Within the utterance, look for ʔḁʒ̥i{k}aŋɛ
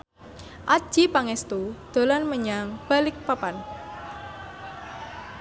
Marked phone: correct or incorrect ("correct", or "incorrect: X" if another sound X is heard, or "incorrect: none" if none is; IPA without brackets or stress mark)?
incorrect: p